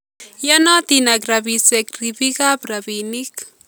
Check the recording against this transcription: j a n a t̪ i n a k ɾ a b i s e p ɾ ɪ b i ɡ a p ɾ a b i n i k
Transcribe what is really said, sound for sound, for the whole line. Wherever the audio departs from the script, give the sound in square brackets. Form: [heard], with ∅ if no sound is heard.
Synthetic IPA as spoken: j a n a t̪ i n a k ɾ a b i s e [k] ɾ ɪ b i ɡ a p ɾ a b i n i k